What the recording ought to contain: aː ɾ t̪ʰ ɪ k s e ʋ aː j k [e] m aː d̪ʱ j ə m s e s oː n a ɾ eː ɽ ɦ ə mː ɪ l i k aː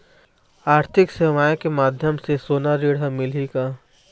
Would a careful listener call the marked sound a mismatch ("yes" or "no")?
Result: no